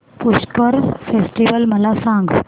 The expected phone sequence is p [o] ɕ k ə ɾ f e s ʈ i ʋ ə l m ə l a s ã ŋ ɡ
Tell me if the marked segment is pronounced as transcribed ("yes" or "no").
no